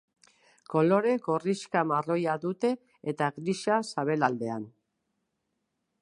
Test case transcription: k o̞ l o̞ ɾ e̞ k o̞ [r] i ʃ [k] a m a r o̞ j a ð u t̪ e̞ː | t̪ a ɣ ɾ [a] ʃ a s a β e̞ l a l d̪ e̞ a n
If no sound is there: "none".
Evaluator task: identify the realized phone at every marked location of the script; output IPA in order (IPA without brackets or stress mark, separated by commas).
r, k, i